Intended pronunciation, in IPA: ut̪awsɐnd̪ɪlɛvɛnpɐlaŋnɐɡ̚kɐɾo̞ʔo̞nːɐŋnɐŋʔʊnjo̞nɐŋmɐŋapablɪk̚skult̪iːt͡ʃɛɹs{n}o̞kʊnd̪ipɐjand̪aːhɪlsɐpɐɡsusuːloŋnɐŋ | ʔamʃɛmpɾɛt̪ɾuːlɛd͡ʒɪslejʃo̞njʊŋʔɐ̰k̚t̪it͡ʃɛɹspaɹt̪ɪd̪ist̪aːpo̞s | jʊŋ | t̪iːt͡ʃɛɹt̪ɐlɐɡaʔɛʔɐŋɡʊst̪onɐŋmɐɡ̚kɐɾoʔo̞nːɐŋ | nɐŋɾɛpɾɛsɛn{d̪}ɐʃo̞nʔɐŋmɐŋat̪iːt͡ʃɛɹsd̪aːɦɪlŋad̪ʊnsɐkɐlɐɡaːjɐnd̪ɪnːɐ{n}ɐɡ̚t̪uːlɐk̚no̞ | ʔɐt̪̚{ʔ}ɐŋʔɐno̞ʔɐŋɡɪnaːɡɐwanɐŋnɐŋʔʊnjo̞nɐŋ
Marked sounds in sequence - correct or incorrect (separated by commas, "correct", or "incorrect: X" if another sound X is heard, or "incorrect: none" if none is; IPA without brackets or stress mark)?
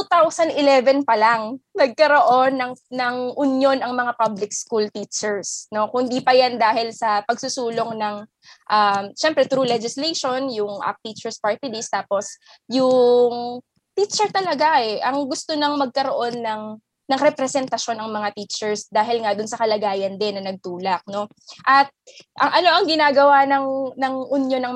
correct, incorrect: t̪, correct, correct